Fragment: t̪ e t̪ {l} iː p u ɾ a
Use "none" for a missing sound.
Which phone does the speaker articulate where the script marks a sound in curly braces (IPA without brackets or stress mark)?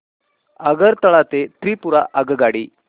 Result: ɾ